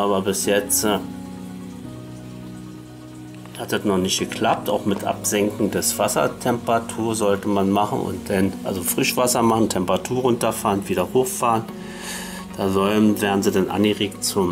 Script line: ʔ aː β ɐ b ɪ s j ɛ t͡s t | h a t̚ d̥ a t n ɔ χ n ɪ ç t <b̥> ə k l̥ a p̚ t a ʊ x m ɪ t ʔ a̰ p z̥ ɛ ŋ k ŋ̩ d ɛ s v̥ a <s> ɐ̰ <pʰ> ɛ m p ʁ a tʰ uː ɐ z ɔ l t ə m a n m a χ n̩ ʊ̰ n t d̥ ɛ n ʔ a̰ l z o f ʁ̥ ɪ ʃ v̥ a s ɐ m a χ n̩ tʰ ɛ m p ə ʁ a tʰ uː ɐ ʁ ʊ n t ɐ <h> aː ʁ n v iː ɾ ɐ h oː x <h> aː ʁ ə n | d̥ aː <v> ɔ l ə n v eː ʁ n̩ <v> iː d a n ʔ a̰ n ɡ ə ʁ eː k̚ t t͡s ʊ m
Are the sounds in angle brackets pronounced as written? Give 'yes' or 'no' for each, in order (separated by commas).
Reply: no, yes, no, no, no, no, no